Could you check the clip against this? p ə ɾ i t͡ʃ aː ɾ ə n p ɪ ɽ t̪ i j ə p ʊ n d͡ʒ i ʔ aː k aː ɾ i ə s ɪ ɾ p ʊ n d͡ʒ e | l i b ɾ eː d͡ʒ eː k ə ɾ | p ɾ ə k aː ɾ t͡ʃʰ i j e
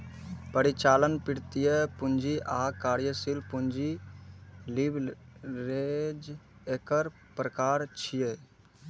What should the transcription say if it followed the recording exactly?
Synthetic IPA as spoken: p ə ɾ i t͡ʃ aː l ə n p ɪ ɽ t̪ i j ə p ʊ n d͡ʒ i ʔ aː k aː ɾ j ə s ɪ l p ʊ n d͡ʒ i | l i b ɾ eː d͡ʒ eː k ə ɾ | p ɾ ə k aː ɾ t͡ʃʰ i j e